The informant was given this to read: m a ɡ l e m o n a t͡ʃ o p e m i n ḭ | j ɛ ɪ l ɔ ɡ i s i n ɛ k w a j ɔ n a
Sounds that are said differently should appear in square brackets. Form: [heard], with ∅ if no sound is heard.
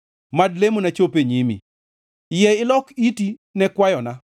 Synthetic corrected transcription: m a [d] l e m o n a t͡ʃ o p e [ɲ] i [m] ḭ | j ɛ ɪ l ɔ [k] i [t] i n ɛ k w a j ɔ n a